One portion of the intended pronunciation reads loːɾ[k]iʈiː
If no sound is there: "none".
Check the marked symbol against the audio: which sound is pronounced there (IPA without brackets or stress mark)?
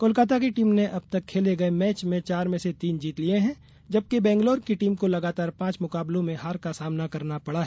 k